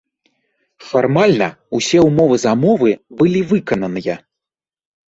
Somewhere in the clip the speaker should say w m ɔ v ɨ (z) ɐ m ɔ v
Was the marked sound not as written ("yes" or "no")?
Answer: no